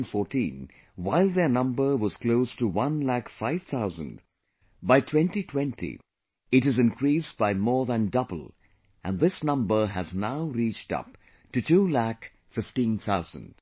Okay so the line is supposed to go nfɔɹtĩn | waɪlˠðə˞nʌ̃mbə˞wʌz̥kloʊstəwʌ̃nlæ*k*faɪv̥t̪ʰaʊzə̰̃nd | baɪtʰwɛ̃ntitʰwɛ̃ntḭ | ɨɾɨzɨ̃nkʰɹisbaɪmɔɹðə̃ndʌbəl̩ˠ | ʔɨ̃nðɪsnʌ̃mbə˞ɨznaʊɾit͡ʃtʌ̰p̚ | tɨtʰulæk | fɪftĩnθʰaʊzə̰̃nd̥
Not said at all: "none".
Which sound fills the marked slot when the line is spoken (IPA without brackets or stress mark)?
k